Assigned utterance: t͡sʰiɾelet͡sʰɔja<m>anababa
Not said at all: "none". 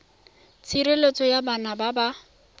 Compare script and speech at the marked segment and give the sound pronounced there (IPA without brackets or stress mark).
b